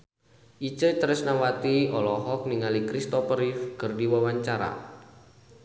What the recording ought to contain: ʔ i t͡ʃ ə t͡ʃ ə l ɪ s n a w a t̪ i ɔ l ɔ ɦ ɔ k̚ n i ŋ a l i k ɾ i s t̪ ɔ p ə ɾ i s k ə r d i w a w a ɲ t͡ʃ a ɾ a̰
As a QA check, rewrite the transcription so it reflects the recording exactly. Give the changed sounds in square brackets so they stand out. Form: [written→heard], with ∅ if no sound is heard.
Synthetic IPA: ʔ i t͡ʃ ə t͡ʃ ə [l→ɾ] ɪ s n a w a t̪ i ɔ l ɔ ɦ ɔ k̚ n i ŋ a l i k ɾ i s t̪ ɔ p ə ɾ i [s→f] k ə r d i w a w a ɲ t͡ʃ a ɾ a̰